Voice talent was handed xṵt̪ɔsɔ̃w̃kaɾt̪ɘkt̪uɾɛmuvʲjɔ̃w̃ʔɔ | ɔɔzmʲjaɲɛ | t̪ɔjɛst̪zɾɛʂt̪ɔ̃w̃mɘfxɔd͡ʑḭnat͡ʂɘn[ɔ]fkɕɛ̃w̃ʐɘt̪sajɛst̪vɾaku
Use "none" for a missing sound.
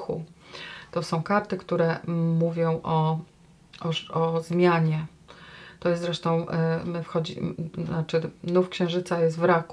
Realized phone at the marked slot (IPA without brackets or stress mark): u